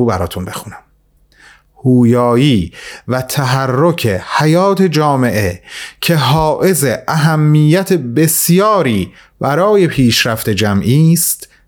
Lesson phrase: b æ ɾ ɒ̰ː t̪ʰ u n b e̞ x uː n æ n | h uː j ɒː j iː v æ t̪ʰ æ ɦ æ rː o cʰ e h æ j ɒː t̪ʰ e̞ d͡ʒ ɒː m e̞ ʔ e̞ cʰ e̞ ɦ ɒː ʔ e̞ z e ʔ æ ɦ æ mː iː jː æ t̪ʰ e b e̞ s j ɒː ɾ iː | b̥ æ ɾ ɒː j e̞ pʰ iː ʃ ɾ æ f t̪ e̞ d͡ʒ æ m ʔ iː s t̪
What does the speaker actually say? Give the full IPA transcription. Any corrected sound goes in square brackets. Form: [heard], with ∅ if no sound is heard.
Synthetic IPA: b æ ɾ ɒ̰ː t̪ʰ u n b e̞ x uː n æ [m] | h uː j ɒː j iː v æ t̪ʰ æ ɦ æ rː o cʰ e h æ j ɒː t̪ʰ e̞ d͡ʒ ɒː m e̞ ʔ e̞ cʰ e̞ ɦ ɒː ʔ e̞ z e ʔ æ ɦ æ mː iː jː æ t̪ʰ e b e̞ s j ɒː ɾ iː | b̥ æ ɾ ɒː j e̞ pʰ iː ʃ ɾ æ f t̪ e̞ d͡ʒ æ m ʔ iː s t̪